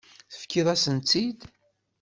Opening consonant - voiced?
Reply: no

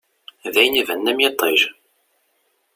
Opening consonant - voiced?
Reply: yes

